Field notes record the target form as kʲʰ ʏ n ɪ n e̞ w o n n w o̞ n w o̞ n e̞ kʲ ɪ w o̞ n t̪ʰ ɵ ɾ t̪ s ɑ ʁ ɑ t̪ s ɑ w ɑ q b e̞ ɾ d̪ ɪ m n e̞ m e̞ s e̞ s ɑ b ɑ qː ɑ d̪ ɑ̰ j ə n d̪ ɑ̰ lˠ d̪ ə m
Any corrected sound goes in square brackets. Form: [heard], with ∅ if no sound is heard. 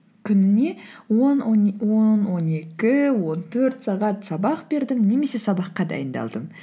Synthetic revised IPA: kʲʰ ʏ n ɪ n e̞ w o n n w o̞ n w o̞ n e̞ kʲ ɪ w o̞ n t̪ʰ ɵ ɾ t̪ s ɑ ʁ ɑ t̪ s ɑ [b] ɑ q b e̞ ɾ d̪ ɪ m n e̞ m e̞ s e̞ s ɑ b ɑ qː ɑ d̪ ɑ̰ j ə n d̪ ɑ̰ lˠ d̪ ə m